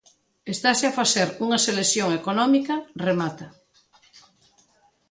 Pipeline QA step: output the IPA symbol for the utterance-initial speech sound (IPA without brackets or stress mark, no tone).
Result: e